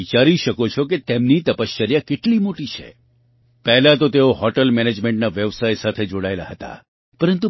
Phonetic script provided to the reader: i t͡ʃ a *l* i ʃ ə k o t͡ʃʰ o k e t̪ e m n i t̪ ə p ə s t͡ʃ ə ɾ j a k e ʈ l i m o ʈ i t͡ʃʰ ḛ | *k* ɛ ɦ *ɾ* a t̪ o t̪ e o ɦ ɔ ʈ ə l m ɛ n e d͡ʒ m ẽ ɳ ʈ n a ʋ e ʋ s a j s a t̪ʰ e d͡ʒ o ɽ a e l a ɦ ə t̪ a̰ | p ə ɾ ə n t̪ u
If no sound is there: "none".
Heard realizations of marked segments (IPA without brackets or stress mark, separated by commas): ɾ, p, l